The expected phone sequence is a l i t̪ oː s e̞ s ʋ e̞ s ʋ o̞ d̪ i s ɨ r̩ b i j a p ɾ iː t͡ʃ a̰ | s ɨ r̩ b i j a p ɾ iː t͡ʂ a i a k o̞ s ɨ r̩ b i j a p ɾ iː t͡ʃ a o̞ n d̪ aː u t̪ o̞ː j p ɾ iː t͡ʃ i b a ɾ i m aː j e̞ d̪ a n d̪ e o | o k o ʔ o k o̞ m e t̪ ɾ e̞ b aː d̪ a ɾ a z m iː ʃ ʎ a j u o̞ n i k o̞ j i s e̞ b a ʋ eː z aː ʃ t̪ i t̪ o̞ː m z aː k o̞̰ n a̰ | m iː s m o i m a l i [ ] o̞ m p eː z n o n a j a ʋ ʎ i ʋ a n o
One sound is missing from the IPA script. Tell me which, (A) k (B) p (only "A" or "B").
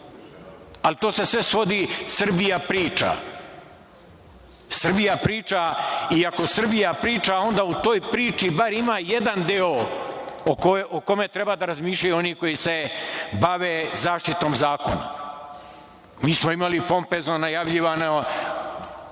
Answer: B